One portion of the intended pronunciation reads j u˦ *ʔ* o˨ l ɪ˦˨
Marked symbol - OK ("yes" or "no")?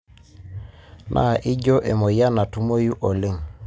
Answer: yes